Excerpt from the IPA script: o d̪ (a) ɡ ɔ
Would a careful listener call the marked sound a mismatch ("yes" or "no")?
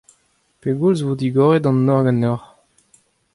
yes